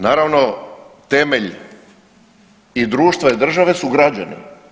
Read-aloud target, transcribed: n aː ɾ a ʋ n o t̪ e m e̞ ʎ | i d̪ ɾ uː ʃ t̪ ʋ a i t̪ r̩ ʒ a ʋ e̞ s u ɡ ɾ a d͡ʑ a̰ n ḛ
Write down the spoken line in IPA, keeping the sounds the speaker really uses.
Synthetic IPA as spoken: n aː ɾ a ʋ n o t̪ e m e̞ ʎ | i d̪ ɾ uː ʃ t̪ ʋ a i d̪ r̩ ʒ a ʋ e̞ s u ɡ ɾ a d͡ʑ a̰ n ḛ